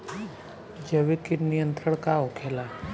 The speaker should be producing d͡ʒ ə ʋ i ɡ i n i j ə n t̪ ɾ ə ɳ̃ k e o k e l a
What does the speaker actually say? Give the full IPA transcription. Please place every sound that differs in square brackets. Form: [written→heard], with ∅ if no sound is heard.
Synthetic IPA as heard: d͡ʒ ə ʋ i [ɡ→k] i n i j ə n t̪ ɾ ə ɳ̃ k [e→a] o [k→kʰ] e l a